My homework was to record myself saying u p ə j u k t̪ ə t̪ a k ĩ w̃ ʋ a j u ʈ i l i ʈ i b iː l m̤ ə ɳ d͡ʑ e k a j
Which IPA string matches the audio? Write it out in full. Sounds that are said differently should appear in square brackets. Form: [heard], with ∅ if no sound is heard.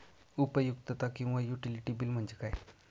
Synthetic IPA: u p ə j u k t̪ ə t̪ a k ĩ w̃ ʋ a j u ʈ i l i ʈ i b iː l m̤ ə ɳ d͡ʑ e k a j